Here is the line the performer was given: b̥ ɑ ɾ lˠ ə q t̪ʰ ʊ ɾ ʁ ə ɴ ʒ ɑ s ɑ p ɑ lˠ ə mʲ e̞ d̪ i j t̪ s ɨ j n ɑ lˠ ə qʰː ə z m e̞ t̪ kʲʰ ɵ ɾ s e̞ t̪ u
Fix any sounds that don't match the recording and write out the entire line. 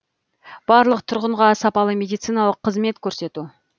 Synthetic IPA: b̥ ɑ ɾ lˠ ə q t̪ʰ ʊ ɾ ʁ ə ɴ ʁ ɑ s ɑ p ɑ lˠ ə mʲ e̞ d̪ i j t̪ s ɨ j n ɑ lˠ ə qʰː ə z m e̞ t̪ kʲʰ ɵ ɾ s e̞ t̪ u